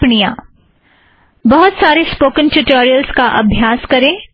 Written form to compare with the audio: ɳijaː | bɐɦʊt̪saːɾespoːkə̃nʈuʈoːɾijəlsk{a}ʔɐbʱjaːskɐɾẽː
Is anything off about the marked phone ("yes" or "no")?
no